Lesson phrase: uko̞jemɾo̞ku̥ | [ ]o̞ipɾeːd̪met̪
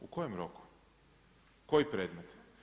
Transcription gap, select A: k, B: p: A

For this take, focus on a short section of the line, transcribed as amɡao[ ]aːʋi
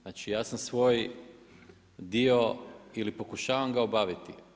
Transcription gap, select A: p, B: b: B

